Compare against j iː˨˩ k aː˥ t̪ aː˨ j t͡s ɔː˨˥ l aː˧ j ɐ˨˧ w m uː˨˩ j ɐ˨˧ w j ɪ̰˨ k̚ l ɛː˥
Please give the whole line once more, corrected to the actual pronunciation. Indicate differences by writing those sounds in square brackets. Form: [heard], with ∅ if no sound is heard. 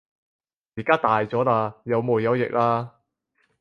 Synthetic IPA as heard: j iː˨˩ k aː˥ t̪ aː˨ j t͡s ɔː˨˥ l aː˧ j ɐ˨˧ w m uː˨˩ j ɐ˨˧ w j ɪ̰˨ k̚ l [aː˥]